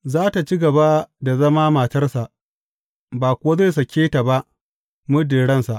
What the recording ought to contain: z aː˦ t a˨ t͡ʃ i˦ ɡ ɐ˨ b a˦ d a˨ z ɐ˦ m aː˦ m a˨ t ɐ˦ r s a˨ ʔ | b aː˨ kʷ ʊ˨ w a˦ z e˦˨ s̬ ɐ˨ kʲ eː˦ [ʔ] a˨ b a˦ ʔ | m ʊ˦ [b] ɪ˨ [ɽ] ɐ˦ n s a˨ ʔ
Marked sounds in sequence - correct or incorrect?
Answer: incorrect: t, incorrect: d, correct

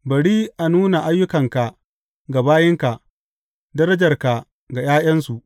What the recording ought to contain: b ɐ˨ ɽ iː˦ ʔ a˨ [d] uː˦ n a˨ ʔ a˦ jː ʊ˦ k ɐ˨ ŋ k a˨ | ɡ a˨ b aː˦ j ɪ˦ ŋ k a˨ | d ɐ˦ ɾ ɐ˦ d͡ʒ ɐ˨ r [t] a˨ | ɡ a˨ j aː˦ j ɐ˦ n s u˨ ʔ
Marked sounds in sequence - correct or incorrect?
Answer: incorrect: n, incorrect: k

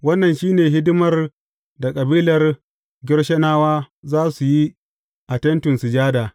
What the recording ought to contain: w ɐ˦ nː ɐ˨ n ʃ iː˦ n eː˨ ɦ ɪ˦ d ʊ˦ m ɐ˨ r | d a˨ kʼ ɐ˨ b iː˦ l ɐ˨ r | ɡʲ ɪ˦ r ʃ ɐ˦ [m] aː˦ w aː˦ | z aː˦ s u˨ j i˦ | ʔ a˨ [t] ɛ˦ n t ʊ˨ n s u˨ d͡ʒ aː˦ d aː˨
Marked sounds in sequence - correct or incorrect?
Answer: incorrect: n, correct

